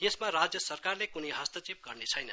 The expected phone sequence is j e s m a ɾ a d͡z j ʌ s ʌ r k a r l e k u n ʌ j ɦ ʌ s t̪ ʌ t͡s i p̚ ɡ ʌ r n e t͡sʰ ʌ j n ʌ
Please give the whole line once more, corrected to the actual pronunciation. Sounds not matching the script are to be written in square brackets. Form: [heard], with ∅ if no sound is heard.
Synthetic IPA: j e s m a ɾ a d͡z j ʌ s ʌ r k a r l e k u n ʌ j ɦ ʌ s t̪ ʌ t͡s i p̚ ɡ ʌ r n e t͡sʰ ʌ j n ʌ